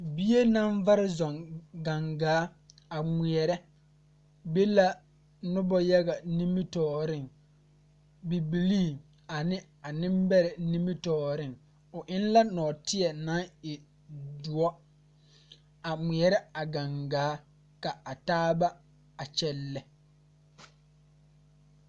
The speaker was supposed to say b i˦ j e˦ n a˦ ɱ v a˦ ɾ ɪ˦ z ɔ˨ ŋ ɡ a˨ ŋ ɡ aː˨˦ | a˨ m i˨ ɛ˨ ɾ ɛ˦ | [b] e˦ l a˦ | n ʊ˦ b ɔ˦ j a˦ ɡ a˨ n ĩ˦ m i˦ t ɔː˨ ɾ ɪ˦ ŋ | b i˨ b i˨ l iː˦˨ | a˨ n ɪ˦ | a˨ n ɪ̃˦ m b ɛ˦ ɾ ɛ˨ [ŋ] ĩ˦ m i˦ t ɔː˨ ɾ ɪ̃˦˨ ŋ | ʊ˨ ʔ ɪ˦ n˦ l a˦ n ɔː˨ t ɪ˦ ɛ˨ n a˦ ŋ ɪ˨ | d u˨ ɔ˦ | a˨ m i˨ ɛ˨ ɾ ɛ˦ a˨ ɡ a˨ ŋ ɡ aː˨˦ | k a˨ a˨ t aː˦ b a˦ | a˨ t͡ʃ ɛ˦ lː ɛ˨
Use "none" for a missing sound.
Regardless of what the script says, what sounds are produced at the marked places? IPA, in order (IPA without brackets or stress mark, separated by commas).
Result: b, n